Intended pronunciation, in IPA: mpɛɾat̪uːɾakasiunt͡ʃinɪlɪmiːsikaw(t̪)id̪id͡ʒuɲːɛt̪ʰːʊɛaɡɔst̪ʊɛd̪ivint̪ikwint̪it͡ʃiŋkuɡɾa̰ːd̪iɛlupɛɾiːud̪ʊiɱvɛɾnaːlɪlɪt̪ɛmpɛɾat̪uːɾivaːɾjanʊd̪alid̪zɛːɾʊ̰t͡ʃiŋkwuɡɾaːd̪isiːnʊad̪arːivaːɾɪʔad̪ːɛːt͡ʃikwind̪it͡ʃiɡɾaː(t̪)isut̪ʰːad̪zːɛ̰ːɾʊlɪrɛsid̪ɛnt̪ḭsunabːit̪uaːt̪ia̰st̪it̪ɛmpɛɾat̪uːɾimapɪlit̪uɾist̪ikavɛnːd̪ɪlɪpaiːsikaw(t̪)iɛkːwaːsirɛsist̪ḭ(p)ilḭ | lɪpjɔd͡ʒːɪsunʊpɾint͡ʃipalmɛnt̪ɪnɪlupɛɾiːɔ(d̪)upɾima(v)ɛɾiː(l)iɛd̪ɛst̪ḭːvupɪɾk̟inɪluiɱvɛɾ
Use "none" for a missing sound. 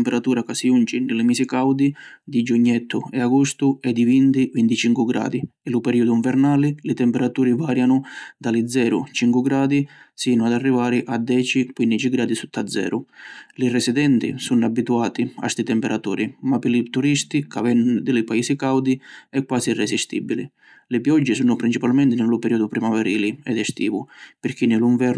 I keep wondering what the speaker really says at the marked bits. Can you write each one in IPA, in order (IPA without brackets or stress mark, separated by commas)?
d̪, d̪, d̪, b, d̪, v, l